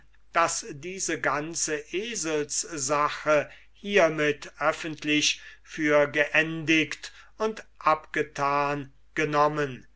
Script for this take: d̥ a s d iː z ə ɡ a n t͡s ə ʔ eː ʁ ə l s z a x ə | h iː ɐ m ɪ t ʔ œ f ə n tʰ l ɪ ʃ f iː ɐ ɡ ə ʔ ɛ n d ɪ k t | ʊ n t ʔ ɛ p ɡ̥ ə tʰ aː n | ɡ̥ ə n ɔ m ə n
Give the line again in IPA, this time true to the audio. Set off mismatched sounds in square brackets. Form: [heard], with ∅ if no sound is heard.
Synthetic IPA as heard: d̥ a s d iː z ə ɡ a n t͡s ə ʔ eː [z] ə l s z a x ə | h iː ɐ m ɪ t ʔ œ f ə n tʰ l ɪ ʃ f [yː] ɐ ɡ ə ʔ ɛ n d ɪ k t | ʊ n t ʔ [a] p ɡ̥ ə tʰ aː n | ɡ̥ ə n ɔ m ə n